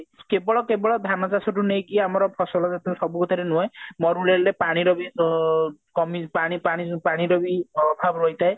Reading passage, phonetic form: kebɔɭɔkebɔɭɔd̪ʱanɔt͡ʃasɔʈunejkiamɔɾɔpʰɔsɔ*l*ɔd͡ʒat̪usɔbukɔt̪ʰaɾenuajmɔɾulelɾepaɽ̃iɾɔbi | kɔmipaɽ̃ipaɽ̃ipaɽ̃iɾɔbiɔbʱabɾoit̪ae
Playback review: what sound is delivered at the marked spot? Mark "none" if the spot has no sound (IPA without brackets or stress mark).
l